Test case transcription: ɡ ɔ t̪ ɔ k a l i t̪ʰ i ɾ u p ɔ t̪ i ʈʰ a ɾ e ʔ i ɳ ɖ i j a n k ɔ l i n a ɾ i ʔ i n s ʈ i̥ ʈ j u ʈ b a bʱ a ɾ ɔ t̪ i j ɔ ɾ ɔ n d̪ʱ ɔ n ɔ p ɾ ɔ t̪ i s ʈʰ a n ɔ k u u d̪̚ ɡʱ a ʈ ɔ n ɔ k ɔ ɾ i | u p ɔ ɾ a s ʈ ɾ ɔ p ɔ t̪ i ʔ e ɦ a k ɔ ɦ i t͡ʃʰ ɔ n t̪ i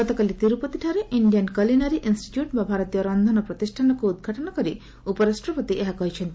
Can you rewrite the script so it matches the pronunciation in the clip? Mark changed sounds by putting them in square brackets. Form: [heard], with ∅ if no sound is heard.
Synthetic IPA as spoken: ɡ ɔ t̪ ɔ k a l i [t̪] i ɾ u p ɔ t̪ i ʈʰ a ɾ e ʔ i ɳ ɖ i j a n k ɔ l i n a ɾ i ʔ i n s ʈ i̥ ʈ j u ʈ b a bʱ a ɾ ɔ t̪ i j ɔ ɾ ɔ n d̪ʱ ɔ n ɔ p ɾ ɔ t̪ i s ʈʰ a n ɔ k u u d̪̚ ɡʱ a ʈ ɔ n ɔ k ɔ ɾ i | u p ɔ ɾ a s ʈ ɾ ɔ p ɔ t̪ i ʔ e ɦ a k ɔ ɦ i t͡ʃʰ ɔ n t̪ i